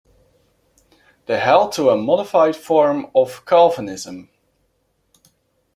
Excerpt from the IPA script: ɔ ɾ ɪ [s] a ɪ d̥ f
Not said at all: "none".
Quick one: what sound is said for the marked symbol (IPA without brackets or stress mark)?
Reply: f